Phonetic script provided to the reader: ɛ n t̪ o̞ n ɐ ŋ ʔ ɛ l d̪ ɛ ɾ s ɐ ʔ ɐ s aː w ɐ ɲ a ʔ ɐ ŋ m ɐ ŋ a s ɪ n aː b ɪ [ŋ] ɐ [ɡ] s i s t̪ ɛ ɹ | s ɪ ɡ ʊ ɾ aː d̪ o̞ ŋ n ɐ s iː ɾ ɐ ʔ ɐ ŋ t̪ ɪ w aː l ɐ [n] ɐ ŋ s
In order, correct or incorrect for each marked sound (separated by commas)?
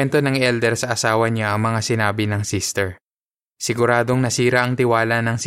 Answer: incorrect, incorrect, correct